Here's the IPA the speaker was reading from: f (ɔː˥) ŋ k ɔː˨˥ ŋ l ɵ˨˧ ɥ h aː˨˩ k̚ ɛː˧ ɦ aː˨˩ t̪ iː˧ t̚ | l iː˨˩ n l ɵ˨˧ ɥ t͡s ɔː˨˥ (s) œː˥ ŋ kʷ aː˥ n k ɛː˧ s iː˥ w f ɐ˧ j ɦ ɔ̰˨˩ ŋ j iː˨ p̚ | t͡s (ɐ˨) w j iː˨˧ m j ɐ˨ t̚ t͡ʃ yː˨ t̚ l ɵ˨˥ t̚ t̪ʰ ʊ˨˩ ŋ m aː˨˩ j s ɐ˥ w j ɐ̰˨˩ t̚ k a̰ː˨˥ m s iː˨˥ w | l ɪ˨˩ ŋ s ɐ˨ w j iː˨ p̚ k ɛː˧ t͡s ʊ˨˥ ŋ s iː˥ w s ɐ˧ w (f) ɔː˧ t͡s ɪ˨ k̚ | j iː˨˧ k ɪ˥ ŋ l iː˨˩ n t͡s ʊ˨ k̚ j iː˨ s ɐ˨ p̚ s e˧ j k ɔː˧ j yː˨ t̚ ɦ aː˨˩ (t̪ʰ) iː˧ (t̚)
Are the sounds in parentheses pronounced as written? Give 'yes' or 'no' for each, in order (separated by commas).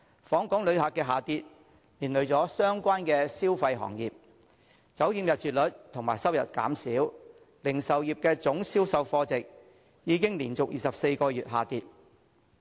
no, yes, no, yes, no, yes